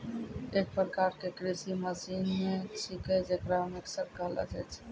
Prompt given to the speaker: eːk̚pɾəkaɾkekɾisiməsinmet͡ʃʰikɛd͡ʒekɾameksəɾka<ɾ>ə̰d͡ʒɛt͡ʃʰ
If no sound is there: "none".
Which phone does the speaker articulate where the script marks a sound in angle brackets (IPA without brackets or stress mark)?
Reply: l